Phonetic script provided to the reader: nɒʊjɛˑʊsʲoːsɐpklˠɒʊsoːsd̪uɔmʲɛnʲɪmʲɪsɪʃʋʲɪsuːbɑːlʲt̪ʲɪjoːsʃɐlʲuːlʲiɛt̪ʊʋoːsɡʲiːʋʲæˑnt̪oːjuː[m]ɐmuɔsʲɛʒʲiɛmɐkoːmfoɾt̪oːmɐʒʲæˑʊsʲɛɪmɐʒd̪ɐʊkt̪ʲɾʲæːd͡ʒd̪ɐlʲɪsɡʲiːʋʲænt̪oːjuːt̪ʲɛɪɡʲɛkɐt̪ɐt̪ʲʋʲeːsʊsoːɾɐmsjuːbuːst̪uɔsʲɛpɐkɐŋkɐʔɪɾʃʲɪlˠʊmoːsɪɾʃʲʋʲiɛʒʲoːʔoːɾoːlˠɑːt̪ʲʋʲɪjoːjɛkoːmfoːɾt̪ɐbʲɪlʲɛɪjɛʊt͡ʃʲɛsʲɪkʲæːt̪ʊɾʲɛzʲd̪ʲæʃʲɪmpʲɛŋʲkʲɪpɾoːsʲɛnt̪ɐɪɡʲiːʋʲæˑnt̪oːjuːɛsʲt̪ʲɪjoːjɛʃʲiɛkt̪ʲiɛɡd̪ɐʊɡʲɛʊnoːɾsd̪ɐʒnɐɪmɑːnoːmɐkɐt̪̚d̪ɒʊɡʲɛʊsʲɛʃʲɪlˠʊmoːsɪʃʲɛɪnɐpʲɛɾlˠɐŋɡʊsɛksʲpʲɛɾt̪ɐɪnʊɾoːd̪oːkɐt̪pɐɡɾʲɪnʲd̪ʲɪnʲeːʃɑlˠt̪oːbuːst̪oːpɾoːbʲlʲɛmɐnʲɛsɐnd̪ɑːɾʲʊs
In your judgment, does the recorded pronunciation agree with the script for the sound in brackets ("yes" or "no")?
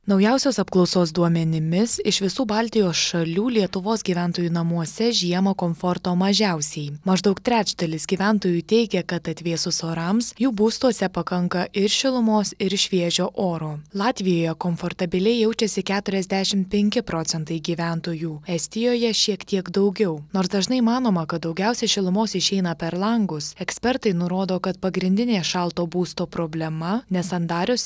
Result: no